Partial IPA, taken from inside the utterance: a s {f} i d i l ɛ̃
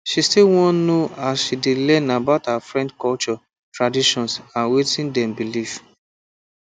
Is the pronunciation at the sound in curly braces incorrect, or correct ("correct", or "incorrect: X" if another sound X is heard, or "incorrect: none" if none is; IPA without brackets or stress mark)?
incorrect: ʃ